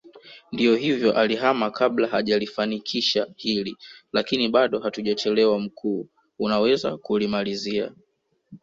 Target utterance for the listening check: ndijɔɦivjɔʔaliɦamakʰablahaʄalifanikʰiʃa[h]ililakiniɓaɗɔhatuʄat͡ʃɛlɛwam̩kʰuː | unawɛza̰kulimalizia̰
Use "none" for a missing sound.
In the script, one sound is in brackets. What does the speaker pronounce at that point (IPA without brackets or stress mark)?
h